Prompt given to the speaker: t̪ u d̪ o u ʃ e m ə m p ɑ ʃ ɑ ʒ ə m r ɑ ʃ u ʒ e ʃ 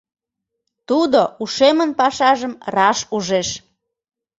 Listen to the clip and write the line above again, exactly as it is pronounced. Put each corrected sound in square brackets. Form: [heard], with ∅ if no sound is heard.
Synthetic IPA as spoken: t̪ u d̪ o u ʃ e m ə [n] p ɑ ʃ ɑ ʒ ə m r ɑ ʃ u ʒ e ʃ